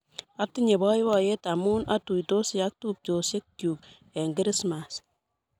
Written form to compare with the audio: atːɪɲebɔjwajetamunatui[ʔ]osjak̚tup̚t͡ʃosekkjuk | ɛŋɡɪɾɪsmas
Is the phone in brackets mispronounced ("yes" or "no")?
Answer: yes